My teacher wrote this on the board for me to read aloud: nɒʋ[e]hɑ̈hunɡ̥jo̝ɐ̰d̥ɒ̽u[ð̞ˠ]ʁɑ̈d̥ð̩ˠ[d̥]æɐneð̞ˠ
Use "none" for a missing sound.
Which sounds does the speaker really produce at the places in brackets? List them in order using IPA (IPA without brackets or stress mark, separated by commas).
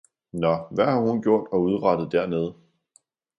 æ, ð̞ˠ, d̥